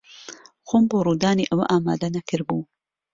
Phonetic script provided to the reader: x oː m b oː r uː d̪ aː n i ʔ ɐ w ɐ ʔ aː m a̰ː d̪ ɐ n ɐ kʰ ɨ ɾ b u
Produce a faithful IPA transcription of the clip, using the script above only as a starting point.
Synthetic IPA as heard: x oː m b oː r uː d̪ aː n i ʔ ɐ w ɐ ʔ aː m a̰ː d̪ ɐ n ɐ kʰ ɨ ɾ b u